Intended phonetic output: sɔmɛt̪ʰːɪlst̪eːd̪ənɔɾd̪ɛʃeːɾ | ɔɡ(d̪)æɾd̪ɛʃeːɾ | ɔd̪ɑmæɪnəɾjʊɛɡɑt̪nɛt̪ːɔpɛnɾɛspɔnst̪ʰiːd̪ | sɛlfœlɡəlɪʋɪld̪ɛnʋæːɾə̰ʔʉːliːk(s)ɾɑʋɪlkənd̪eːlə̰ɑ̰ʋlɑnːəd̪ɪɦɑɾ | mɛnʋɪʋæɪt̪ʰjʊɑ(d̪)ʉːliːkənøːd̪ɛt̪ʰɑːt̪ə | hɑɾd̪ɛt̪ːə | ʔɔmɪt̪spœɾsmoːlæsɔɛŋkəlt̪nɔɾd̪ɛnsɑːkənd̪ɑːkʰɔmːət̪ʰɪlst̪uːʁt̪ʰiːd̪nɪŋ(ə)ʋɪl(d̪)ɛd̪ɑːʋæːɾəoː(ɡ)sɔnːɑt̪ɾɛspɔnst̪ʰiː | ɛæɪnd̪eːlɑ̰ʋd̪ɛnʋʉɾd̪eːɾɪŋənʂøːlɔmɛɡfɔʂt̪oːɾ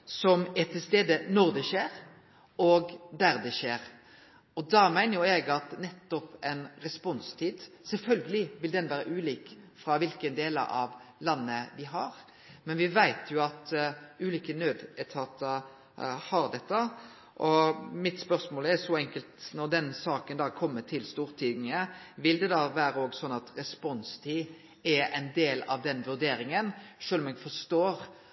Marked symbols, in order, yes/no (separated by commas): yes, no, no, yes, yes, yes